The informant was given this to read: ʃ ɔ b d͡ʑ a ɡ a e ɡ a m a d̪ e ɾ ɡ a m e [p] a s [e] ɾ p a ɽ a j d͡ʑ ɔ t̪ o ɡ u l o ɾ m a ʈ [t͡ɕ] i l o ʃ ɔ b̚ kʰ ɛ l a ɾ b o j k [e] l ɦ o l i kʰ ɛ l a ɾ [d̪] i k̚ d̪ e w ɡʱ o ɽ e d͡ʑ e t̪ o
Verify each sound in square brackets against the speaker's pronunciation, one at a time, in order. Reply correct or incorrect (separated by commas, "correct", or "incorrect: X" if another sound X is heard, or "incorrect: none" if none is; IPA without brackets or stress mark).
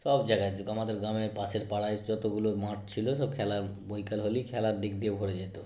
correct, correct, incorrect: t͡ɕʰ, incorrect: a, correct